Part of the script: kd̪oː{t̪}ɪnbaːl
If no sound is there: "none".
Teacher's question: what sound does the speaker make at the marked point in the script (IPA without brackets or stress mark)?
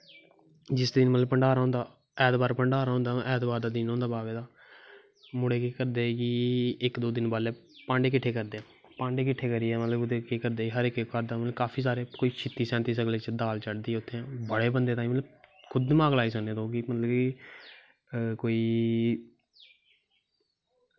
d̪